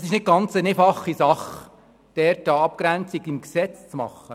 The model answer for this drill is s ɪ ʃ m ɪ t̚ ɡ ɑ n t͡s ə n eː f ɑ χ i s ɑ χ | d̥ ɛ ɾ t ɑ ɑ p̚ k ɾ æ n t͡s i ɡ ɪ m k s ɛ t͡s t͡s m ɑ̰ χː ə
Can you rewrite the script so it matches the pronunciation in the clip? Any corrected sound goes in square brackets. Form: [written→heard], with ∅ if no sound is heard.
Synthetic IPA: s ɪ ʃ [m→n] ɪ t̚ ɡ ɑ n t͡s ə n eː f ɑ χ i s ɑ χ | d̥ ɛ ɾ t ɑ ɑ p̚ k ɾ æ n t͡s i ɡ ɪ m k s ɛ t͡s t͡s m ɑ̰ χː ə